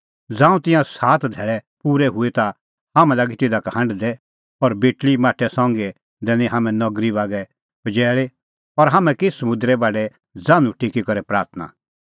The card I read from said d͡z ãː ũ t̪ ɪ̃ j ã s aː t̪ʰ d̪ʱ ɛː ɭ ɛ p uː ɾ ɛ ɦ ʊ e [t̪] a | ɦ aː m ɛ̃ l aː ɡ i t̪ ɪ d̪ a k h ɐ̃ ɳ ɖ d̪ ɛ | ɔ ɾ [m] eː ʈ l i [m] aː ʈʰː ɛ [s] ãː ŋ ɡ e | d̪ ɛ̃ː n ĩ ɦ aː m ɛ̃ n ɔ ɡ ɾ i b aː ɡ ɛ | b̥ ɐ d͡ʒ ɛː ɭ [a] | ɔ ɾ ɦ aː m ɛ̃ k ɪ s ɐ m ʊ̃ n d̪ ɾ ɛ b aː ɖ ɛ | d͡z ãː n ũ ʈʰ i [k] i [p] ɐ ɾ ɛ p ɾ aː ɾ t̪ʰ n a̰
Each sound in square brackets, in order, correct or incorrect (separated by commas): correct, incorrect, correct, correct, incorrect, correct, incorrect